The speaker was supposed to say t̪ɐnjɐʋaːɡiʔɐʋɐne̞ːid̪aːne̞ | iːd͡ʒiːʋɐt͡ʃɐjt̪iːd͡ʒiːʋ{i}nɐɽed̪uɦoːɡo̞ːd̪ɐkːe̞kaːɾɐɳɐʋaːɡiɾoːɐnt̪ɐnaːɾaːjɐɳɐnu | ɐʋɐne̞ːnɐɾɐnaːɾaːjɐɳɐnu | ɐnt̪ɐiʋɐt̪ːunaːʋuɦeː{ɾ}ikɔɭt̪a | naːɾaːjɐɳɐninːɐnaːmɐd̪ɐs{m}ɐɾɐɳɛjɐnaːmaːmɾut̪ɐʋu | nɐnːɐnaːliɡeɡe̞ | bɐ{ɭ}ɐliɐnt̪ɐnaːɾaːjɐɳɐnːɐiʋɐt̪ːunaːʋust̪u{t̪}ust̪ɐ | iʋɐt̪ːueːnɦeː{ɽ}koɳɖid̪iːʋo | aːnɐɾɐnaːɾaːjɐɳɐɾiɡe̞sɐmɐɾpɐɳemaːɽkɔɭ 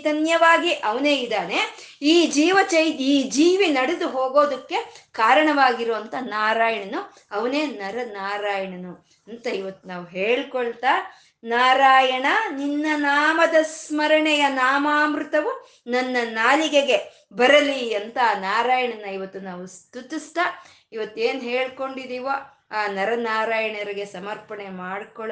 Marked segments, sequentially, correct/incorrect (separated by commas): correct, incorrect, correct, incorrect, correct, incorrect